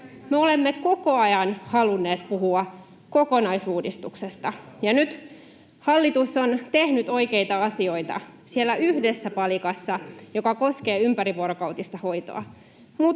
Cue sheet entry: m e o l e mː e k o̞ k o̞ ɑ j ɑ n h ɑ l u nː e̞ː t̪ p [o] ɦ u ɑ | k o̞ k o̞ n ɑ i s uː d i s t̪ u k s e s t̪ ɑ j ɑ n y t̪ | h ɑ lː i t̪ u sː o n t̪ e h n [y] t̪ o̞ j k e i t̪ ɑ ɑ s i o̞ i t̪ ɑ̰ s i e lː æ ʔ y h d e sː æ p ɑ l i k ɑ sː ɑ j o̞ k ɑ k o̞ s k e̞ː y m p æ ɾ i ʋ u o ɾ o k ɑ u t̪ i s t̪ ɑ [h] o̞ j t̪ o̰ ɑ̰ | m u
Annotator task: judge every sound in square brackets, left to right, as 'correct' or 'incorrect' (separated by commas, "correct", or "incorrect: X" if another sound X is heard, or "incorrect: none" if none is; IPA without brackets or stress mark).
incorrect: u, correct, correct